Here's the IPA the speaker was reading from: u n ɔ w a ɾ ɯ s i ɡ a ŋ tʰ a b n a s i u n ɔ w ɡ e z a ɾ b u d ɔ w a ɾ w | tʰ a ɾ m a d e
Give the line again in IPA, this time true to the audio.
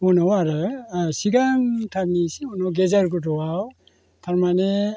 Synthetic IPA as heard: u n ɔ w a ɾ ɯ s i ɡ a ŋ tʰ a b n i s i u n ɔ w ɡ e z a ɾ ɡ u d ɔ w a w | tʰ a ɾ m a n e